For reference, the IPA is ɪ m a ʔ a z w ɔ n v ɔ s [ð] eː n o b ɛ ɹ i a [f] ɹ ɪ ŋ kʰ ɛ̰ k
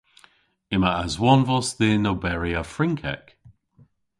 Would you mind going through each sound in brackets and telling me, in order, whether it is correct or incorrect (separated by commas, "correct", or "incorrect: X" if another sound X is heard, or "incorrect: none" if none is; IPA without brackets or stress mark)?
correct, correct